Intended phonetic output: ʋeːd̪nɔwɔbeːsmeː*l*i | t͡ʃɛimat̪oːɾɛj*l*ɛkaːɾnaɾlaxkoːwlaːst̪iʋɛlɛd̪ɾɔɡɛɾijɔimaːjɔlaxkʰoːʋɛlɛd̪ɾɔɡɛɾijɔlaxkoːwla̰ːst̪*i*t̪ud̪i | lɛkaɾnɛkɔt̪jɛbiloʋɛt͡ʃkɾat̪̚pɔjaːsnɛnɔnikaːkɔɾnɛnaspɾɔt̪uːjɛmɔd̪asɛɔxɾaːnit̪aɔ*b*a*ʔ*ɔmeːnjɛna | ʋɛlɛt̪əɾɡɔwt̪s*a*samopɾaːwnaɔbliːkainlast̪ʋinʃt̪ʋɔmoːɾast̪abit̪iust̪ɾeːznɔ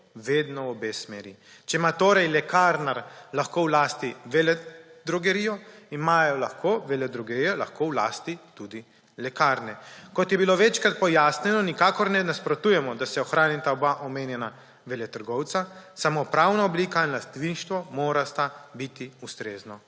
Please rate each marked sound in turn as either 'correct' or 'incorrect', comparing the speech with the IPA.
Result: incorrect, correct, correct, correct, correct, correct

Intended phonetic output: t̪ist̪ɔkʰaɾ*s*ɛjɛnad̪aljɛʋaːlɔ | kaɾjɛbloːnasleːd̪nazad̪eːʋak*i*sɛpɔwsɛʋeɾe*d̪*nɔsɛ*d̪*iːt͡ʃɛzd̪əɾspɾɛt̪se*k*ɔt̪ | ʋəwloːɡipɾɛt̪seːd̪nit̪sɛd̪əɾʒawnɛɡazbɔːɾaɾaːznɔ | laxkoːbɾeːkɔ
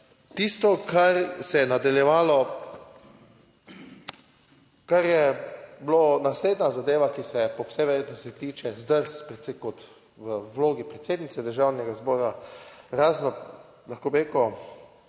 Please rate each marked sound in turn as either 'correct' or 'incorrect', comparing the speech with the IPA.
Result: correct, correct, incorrect, incorrect, correct

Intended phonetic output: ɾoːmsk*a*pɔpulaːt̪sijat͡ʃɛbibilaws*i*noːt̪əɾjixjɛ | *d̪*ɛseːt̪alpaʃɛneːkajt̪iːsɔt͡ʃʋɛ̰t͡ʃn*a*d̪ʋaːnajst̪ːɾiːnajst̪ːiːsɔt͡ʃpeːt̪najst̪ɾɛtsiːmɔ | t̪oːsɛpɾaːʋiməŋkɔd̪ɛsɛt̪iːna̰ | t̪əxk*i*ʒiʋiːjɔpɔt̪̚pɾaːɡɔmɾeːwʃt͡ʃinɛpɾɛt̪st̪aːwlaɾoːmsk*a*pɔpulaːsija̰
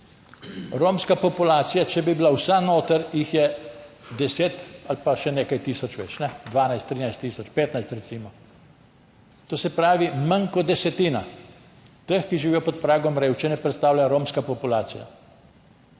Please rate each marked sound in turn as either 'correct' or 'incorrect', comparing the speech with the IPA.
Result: correct, incorrect, correct, incorrect, correct, correct

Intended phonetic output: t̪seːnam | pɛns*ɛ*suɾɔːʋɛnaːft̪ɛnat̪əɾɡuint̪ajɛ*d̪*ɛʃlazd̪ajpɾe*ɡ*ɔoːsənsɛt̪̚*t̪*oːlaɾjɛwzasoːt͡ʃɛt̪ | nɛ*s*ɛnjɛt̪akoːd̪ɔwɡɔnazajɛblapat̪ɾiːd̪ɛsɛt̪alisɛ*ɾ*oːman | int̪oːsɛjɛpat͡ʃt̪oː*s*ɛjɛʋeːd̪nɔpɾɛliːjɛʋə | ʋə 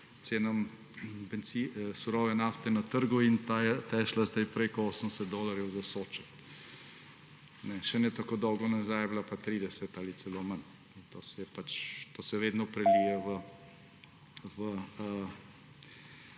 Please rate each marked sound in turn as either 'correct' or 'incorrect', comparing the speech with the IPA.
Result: incorrect, incorrect, incorrect, incorrect, incorrect, incorrect, correct

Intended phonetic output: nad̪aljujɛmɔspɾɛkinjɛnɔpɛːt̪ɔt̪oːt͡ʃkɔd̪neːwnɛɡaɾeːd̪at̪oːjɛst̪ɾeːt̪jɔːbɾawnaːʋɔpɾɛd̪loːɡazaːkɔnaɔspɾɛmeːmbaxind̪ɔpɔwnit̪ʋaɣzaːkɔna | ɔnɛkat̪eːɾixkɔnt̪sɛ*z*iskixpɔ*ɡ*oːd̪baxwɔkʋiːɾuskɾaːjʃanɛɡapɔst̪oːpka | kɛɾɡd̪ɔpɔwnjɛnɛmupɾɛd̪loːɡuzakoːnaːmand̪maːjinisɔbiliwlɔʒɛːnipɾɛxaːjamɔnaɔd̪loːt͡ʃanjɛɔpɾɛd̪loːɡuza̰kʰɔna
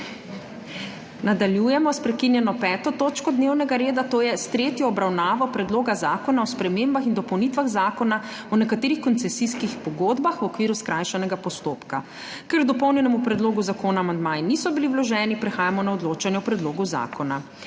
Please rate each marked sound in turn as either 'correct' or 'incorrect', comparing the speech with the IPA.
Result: incorrect, correct

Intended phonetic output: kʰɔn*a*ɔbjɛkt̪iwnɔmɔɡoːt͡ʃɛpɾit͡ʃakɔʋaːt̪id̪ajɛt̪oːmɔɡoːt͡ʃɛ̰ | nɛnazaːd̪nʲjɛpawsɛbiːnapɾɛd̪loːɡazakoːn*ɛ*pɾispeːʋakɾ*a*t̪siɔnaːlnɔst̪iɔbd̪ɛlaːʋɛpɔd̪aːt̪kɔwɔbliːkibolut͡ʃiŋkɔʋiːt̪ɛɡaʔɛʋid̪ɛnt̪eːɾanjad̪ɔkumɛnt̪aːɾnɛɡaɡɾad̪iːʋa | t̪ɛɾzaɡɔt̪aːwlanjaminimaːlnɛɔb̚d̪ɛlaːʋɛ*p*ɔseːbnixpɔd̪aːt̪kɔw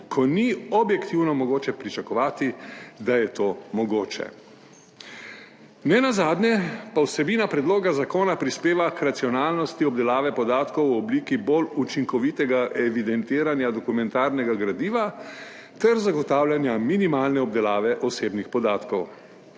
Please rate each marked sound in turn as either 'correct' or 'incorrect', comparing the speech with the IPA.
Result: incorrect, incorrect, correct, incorrect

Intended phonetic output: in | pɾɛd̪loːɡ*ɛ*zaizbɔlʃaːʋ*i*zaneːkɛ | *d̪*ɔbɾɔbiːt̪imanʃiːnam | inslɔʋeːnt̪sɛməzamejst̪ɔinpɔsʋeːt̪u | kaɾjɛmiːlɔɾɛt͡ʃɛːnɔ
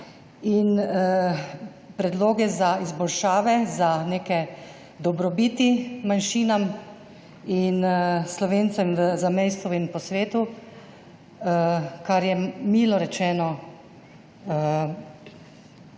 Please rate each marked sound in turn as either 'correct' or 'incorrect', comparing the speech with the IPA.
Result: correct, incorrect, correct

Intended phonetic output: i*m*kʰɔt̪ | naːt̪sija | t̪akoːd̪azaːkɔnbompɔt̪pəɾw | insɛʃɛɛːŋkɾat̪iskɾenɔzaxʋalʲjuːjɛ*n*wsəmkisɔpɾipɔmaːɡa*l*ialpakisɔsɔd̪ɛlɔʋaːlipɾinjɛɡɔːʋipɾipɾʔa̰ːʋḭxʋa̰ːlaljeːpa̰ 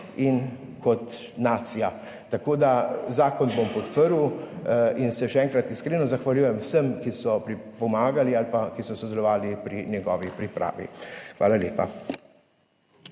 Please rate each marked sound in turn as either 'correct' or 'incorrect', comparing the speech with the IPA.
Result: incorrect, incorrect, correct

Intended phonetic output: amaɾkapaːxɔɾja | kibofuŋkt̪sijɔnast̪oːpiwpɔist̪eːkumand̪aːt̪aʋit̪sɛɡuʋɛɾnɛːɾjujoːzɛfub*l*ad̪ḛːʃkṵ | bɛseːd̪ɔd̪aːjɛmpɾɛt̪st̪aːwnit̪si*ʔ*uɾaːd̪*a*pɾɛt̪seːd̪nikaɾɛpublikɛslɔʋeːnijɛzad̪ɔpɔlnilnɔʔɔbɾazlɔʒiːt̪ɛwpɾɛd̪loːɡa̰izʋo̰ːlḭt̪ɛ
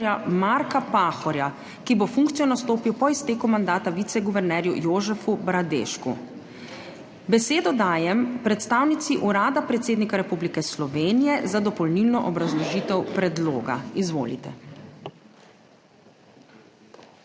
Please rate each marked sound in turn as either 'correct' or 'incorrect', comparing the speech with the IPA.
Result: incorrect, correct, correct

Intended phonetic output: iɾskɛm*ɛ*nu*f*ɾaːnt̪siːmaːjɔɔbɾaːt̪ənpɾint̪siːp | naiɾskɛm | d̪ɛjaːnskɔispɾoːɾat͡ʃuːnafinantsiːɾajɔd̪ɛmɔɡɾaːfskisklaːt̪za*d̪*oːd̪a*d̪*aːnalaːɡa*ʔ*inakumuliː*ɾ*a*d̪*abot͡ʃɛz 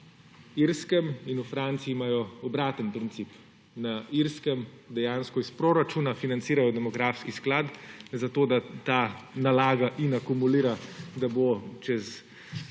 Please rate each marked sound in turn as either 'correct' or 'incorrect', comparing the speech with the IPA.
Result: incorrect, correct, incorrect, incorrect, correct, correct, correct

